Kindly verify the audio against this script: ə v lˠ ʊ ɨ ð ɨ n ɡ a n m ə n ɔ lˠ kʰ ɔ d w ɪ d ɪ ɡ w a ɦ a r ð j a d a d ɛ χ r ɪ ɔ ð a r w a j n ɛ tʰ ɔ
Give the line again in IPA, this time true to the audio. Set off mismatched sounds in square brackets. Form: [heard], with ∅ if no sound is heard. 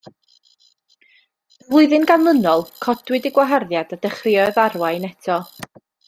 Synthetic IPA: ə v lˠ ʊ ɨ ð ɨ n ɡ a n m ə n ɔ lˠ kʰ ɔ d w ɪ d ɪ ɡ w a ɦ a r ð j a d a d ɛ χ r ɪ ɔ ð a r w a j n ɛ tʰ ɔ